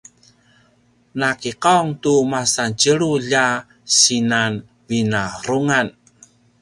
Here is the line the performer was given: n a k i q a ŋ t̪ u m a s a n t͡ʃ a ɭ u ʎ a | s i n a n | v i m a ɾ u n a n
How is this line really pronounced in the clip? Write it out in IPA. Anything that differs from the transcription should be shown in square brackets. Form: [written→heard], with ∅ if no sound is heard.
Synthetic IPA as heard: n a k i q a ŋ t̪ u m a s a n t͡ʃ [a→ə] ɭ u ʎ a | s i n a n | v i [m→n] a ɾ u [n→ŋ] a n

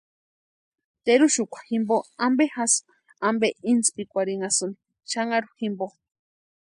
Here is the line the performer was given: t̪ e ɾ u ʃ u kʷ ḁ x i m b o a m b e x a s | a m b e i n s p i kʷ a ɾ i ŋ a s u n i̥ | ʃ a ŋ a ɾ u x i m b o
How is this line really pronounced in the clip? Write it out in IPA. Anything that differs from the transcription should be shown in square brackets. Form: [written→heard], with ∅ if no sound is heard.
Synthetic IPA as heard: t̪ e ɾ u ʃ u kʷ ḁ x i m b o a m b e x a s | a m b e i n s p i kʷ a ɾ i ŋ a s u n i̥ | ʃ a ŋ a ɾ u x i m b o

